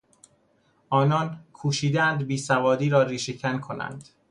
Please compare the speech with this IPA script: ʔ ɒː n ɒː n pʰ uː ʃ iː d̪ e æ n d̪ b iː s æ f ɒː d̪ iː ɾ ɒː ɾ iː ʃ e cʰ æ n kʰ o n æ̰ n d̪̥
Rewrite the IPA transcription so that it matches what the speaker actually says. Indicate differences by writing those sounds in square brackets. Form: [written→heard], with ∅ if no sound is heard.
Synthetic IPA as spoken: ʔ ɒː n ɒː n [pʰ→kʰ] uː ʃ iː d̪ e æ n d̪ b iː s æ [f→v] ɒː d̪ iː ɾ ɒː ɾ iː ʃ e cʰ æ n kʰ o n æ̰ n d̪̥